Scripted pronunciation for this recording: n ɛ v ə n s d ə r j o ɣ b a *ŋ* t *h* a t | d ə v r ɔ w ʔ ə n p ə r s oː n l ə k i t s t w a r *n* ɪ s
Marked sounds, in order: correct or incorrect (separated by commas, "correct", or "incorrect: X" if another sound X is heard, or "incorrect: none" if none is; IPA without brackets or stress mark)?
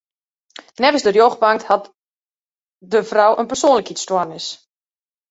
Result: correct, correct, correct